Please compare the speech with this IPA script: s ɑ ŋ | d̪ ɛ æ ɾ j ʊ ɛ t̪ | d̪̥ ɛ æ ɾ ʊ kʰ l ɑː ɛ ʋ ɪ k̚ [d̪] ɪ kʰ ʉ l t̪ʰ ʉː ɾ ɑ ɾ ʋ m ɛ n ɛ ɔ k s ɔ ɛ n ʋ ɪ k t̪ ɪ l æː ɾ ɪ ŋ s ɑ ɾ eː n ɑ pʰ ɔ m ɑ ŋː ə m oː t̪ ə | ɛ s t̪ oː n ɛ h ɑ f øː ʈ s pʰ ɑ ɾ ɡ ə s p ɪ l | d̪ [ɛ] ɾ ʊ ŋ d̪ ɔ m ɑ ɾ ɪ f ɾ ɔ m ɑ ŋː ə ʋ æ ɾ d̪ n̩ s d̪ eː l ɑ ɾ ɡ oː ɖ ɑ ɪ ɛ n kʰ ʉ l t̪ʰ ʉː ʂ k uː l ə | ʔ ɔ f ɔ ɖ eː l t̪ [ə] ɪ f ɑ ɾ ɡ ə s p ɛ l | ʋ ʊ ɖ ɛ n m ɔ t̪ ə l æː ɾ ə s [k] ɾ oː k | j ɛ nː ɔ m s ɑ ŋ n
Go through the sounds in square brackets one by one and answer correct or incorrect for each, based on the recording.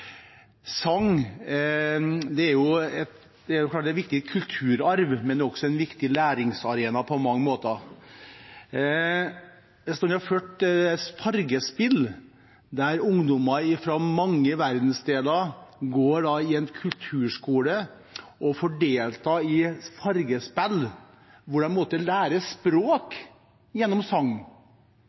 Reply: incorrect: t̪, incorrect: æ, incorrect: ɑ, incorrect: p

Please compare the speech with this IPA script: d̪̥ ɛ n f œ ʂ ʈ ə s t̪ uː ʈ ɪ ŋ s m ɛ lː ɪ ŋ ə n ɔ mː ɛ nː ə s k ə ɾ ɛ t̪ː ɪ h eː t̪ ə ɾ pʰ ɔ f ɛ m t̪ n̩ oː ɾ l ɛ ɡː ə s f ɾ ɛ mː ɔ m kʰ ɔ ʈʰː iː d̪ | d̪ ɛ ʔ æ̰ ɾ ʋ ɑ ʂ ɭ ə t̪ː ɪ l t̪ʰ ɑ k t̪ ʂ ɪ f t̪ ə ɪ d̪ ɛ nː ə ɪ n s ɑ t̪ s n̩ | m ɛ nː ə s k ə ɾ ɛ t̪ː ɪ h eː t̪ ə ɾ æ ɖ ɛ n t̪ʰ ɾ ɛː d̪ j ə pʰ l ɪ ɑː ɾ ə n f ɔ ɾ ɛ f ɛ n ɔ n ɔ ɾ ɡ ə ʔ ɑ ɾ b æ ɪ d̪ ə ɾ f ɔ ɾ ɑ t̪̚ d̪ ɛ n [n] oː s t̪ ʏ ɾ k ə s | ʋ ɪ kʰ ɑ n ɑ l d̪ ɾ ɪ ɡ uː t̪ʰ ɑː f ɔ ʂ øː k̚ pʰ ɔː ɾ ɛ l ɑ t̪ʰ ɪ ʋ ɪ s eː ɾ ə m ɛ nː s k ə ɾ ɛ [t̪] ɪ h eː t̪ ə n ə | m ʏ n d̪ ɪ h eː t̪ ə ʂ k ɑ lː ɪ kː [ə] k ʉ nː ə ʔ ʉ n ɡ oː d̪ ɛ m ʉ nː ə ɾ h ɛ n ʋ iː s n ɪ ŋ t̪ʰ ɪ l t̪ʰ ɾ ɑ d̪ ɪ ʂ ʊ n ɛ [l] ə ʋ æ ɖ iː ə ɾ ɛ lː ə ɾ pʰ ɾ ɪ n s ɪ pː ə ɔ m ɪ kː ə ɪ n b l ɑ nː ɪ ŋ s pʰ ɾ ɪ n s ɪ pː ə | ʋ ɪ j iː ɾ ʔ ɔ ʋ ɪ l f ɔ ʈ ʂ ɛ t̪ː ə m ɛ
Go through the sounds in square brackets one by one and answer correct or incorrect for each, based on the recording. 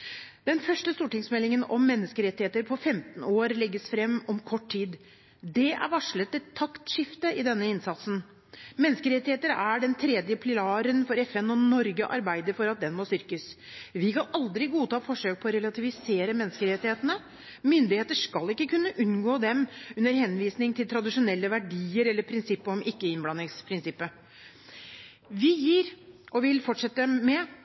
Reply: incorrect: m, correct, correct, incorrect: lː

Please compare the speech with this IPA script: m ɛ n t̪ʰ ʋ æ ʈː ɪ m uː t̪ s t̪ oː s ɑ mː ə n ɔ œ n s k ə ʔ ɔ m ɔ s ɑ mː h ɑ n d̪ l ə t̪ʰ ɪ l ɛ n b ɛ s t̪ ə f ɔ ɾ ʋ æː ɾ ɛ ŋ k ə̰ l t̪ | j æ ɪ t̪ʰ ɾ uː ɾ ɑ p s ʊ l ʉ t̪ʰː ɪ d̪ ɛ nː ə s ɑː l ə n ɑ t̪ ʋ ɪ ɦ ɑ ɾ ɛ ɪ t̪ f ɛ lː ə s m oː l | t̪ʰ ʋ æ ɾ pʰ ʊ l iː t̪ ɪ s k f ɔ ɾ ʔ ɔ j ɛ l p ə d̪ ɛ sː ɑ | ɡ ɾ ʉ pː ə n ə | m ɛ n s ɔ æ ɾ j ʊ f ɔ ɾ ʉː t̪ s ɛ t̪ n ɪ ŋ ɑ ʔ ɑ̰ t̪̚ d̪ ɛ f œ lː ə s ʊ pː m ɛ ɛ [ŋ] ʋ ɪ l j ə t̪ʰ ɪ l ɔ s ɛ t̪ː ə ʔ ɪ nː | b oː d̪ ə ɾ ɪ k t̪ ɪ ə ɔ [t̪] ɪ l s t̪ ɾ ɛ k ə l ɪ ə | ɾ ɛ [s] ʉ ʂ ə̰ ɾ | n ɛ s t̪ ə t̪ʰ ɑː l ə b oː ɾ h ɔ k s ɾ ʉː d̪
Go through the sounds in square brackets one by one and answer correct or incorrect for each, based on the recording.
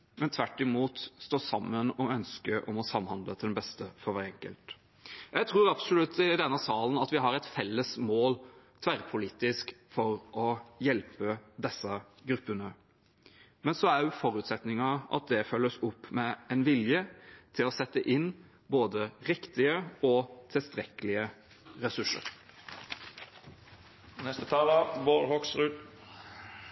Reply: incorrect: n, incorrect: t̪ʰ, correct

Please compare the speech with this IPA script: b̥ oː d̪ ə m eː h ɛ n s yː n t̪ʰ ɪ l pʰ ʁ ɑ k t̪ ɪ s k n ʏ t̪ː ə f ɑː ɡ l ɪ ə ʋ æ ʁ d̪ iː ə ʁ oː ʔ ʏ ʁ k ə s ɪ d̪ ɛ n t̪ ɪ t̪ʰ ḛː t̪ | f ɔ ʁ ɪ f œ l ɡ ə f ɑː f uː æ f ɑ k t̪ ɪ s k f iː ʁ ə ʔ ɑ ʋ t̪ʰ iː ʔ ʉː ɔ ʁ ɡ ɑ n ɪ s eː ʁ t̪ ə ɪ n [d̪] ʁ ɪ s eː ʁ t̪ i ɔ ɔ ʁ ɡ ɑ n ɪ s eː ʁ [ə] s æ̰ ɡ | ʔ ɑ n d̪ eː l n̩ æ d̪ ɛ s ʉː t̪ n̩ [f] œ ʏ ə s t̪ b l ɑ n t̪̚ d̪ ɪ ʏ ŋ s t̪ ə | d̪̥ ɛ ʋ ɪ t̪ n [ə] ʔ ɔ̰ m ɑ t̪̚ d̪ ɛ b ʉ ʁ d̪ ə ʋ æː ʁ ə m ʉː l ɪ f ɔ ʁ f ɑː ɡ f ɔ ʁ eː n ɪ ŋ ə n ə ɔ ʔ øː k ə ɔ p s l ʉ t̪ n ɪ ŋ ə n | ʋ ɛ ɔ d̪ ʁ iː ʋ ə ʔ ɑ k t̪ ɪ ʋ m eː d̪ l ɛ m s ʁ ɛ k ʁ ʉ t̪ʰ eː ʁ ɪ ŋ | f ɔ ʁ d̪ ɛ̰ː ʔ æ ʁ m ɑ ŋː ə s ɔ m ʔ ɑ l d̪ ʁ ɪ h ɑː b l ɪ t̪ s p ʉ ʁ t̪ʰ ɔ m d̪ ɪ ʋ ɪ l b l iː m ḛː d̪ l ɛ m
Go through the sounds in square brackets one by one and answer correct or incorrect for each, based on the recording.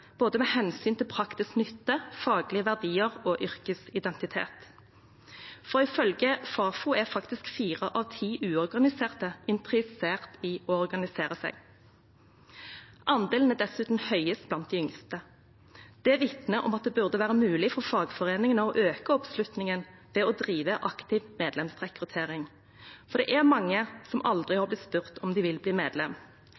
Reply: incorrect: t̪, correct, incorrect: h, correct

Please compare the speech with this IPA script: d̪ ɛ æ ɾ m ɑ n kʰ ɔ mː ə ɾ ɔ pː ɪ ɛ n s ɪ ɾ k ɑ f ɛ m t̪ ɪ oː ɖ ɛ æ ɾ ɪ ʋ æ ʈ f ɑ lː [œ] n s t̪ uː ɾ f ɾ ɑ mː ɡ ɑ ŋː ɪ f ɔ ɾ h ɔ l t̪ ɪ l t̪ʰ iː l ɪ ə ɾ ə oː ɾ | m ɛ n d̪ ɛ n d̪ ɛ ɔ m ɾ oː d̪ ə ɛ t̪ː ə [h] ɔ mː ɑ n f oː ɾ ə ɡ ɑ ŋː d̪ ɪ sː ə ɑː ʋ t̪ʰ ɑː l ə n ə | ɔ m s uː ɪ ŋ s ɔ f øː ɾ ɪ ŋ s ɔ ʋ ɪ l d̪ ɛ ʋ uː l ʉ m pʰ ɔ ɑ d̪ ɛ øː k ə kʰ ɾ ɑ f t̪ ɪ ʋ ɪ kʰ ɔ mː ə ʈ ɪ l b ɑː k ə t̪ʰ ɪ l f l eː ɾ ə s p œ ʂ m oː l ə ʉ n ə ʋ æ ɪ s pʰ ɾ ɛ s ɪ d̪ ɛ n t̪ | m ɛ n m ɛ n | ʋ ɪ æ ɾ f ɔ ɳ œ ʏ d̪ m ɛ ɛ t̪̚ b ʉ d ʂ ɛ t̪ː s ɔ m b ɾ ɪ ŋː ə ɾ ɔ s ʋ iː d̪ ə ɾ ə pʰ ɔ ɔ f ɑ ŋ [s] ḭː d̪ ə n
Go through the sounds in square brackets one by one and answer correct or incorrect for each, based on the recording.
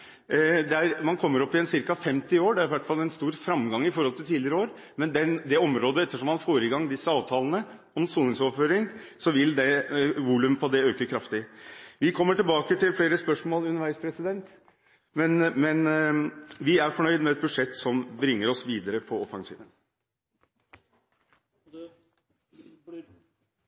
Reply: incorrect: ɛ, incorrect: ʂ, correct

